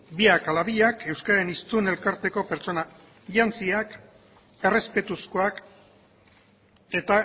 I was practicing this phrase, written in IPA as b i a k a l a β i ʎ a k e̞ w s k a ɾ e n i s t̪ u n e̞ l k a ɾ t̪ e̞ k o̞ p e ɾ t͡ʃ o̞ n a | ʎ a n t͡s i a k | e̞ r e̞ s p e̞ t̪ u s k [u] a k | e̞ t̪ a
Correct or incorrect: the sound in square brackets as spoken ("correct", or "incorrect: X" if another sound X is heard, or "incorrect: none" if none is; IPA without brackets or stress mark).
incorrect: o